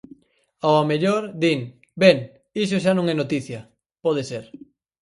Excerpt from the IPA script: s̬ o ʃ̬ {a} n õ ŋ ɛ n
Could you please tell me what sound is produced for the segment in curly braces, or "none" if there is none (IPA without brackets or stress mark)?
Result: a